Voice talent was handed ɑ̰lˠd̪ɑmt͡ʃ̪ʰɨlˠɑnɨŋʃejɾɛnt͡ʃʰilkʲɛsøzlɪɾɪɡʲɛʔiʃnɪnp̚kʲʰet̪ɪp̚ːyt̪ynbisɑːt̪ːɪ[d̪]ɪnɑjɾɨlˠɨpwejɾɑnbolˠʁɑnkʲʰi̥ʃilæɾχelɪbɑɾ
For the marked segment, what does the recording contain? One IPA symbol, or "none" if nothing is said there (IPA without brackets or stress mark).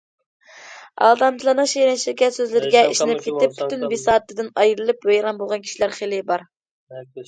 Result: d̪